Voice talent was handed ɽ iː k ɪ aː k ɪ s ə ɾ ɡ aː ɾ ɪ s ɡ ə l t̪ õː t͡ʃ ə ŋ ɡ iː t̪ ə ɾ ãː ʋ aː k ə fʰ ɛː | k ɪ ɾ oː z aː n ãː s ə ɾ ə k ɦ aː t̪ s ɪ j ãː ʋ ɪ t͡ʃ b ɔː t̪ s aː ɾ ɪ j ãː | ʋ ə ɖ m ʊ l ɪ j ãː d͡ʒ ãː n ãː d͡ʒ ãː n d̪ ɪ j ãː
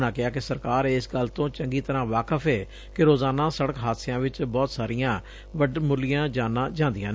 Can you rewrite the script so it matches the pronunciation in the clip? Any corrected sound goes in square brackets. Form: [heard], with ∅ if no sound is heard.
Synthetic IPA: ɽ [aː] k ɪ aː k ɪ s ə ɾ [k] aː ɾ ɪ s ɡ ə l t̪ õː t͡ʃ ə ŋ ɡ iː t̪ ə ɾ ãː ʋ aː k ə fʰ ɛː | k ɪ ɾ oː z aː n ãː s ə [ɽ] ə k ɦ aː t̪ s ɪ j ãː ʋ ɪ t͡ʃ b ɔː t̪ s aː ɾ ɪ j ãː | ʋ ə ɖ m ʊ l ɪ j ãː d͡ʒ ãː n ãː d͡ʒ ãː n d̪ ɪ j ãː